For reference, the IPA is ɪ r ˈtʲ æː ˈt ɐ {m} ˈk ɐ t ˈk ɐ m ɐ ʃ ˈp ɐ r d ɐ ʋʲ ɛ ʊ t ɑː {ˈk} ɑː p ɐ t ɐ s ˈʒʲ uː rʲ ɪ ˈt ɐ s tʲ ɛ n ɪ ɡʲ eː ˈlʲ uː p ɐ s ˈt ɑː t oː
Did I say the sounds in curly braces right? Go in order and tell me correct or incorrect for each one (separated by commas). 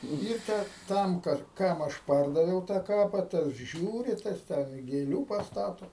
correct, correct